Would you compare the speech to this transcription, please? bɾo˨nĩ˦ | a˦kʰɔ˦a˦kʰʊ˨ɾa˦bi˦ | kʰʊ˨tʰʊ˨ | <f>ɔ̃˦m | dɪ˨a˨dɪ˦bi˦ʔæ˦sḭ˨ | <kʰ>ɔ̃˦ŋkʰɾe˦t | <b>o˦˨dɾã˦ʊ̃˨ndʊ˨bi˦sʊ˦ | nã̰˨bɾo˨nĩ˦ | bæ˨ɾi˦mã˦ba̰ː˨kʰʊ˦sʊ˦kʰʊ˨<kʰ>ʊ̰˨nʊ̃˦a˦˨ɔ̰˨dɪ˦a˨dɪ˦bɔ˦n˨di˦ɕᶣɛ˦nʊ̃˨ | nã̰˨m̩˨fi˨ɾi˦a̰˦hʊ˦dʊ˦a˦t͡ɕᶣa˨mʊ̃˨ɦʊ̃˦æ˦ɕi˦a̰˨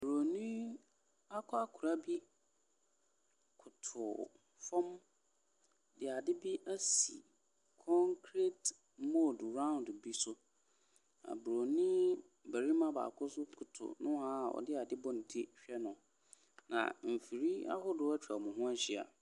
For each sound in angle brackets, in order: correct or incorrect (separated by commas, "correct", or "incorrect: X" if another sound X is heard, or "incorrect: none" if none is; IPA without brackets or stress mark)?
correct, correct, incorrect: m, incorrect: tʰ